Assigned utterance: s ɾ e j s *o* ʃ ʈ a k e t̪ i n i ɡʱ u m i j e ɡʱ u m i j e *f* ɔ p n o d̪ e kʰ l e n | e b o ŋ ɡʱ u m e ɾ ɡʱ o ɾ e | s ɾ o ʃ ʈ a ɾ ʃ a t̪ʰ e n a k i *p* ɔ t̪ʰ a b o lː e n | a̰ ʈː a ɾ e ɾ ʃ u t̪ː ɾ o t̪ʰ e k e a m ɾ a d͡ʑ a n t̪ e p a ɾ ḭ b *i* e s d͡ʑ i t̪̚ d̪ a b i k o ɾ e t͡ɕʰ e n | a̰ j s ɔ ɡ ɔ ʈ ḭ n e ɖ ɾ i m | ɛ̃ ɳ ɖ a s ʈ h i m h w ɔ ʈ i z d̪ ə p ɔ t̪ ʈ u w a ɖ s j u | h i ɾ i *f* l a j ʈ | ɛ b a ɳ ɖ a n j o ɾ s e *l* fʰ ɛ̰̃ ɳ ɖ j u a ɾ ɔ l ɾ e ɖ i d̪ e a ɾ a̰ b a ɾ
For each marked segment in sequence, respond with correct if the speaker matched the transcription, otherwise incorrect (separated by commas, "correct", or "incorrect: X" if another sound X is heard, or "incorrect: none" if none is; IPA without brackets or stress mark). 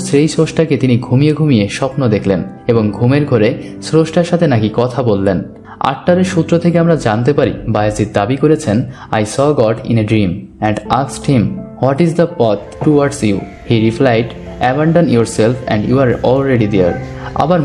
correct, incorrect: ʃ, incorrect: k, incorrect: a, correct, correct